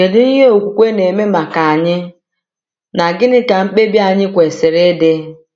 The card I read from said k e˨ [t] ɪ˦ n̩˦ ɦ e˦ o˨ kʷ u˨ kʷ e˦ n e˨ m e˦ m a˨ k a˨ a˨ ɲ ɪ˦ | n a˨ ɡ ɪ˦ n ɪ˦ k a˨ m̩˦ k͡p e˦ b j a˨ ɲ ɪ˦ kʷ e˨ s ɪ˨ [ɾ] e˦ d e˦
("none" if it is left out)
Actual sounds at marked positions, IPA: d, ɾ

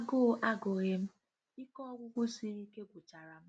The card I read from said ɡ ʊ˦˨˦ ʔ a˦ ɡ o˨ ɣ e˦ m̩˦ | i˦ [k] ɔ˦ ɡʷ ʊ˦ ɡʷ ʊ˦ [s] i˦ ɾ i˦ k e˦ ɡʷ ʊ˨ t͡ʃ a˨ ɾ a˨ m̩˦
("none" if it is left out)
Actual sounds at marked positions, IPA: k, s

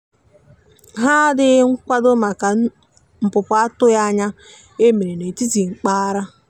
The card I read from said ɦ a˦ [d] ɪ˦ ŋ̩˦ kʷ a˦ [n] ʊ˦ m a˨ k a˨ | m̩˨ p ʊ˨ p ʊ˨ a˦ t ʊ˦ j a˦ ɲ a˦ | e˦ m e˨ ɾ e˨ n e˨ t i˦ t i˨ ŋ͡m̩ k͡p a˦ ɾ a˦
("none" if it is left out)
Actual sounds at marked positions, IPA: d, d

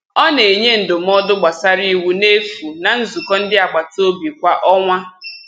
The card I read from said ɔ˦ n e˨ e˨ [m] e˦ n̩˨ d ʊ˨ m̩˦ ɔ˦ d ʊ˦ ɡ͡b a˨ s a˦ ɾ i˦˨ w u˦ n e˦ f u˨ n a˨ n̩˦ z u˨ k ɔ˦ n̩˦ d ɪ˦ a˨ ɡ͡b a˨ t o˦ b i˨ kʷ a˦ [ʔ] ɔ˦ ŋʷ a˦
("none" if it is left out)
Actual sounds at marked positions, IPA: ɲ, ʔ

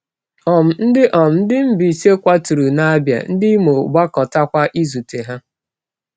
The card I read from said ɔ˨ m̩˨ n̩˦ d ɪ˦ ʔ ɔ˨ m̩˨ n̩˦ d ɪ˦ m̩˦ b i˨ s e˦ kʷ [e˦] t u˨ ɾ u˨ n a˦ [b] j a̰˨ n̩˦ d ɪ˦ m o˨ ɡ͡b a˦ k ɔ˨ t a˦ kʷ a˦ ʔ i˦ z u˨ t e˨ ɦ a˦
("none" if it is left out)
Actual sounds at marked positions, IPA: a˦, b

